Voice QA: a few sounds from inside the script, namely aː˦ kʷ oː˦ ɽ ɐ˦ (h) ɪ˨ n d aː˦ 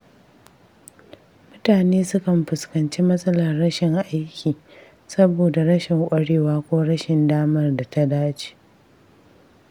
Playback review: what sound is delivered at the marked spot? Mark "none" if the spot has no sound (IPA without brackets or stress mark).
ʃ